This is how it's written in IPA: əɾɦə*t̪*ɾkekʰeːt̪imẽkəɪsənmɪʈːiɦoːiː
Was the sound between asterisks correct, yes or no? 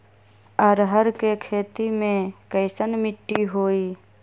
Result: no